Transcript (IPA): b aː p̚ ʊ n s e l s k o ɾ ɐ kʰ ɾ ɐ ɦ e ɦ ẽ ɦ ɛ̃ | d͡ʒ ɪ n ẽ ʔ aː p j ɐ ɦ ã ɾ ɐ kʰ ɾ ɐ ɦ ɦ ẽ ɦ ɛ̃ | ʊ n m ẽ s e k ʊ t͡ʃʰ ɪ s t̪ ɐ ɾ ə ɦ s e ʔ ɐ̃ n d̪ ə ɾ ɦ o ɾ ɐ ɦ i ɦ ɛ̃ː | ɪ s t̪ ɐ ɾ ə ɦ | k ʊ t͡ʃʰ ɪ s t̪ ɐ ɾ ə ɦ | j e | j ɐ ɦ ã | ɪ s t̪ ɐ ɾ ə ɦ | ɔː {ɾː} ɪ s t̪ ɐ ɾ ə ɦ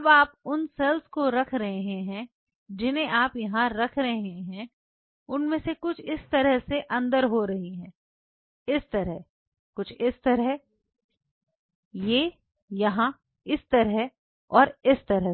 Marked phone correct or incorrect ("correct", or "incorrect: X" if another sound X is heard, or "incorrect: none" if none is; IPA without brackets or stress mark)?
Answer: incorrect: ɾ